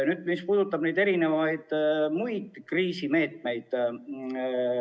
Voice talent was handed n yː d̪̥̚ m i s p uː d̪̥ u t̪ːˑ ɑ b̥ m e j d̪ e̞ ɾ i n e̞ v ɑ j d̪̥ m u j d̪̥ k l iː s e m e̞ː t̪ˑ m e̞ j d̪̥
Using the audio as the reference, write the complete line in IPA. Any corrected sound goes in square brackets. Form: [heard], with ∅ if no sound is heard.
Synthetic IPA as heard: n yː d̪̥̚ m i s p uː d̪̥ u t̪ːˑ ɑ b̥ [n] e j d̪ e̞ ɾ i n e̞ v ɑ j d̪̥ m u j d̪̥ k [r] iː s [i] m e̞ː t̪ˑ m e̞ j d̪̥